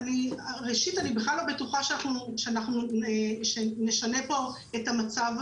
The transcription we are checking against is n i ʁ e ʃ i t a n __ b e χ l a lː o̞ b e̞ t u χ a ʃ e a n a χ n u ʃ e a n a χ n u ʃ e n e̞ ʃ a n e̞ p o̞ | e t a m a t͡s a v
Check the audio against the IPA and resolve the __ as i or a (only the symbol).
i